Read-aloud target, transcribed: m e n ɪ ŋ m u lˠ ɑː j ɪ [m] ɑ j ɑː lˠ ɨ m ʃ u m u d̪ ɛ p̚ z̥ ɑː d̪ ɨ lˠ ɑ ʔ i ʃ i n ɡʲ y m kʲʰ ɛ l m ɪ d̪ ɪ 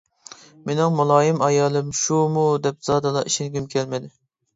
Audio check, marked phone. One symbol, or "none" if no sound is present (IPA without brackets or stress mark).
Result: m